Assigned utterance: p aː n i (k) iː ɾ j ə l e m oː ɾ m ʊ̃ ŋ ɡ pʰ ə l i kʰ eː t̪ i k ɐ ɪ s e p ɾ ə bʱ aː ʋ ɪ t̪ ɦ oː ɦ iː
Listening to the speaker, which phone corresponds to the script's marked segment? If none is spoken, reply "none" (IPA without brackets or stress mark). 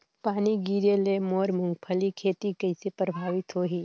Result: ɡ